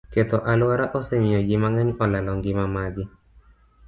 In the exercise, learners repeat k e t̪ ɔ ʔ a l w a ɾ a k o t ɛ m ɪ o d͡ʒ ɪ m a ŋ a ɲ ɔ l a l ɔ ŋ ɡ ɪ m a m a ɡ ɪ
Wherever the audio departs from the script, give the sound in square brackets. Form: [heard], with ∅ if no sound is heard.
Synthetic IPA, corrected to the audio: k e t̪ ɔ ʔ a l w a ɾ a [ʔ] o [s] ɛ m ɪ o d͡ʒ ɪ m a ŋ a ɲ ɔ l a l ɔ ŋ ɡ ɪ m a m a ɡ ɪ